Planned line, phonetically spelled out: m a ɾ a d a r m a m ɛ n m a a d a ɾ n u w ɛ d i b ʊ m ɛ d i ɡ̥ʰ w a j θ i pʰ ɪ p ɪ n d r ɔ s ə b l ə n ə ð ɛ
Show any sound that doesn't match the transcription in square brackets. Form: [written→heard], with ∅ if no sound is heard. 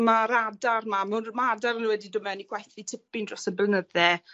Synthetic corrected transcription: m a ɾ a d a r m a m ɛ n m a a d a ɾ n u w ɛ d i [b→d] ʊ m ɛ [d→n] i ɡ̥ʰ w a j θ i [pʰ→tʰ] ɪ p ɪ n d r ɔ s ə b l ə n ə ð ɛ